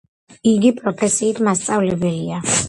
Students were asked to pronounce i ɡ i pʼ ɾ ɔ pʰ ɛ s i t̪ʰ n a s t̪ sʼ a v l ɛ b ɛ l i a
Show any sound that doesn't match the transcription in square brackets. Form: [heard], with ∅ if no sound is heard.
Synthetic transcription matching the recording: i ɡ i pʼ ɾ ɔ pʰ ɛ s [iː] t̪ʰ [m] a s t̪ sʼ a v l ɛ b ɛ l i a

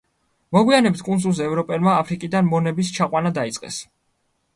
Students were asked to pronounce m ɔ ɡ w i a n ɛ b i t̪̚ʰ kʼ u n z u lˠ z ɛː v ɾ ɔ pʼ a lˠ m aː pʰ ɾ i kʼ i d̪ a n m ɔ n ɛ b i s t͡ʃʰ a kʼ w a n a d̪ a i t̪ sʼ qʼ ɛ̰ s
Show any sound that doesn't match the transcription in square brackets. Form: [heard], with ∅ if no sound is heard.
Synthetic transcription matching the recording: m ɔ ɡ w i a n ɛ b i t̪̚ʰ kʼ u n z u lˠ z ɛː v ɾ ɔ pʼ [ɛ] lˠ m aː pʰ ɾ i kʼ i d̪ a n m ɔ n ɛ b i s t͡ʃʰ a [qʼ] w a n a d̪ a i t̪ sʼ qʼ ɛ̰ s

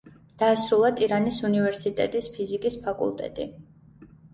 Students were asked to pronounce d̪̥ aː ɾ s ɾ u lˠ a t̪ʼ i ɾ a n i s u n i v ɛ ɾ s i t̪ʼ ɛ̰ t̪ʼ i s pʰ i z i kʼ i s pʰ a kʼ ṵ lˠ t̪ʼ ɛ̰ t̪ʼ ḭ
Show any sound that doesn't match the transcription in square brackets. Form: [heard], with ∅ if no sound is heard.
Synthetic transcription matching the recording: d̪̥ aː [∅] s ɾ u lˠ a t̪ʼ i ɾ a n i s u n i v ɛ ɾ s i t̪ʼ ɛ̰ t̪ʼ i s pʰ i z i kʼ i s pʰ a kʼ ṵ lˠ t̪ʼ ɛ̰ t̪ʼ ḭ

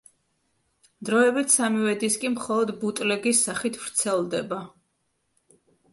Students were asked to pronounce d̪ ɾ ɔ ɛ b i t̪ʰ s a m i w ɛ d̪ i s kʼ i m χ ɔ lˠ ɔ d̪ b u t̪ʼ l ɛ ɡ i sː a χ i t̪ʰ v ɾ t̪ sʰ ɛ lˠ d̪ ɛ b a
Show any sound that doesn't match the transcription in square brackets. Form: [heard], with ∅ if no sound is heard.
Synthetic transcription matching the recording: d̪ ɾ ɔ ɛ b i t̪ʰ s a m i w ɛ d̪ i s kʼ i m χ ɔ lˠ ɔ d̪ b u t̪ʼ l ɛ ɡ i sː a χ i t̪ʰ v ɾ t̪ sʰ ɛ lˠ d̪ ɛ b a

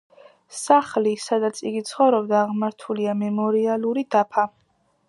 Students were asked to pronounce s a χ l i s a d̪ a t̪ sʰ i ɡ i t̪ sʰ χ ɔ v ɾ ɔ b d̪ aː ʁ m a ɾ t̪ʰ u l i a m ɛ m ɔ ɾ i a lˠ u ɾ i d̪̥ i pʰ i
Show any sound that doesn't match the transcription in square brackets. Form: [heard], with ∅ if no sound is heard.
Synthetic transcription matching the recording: s a χ l i s a d̪ a t̪ sʰ i ɡ i t̪ sʰ χ ɔ v ɾ ɔ b d̪ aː ʁ m a ɾ t̪ʰ u l i a m ɛ m ɔ ɾ i a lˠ u ɾ i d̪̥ [a] pʰ [a]

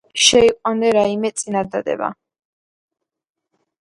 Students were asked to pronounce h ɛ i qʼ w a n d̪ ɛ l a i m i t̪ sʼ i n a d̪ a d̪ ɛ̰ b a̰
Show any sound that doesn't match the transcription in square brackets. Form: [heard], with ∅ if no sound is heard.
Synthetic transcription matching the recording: [ʃ] ɛ i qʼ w a n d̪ ɛ [ɾ] a i m [ɛ] t̪ sʼ i n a d̪ a d̪ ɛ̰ b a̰

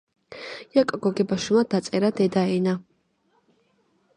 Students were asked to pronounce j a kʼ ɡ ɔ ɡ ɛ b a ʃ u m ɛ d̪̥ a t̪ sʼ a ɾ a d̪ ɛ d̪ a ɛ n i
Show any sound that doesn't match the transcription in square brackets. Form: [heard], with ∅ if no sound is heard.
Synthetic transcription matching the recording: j a kʼ ɡ ɔ ɡ ɛ b a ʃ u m [a] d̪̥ a t̪ sʼ [ɛ] ɾ a d̪ ɛ d̪ a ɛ n [a]

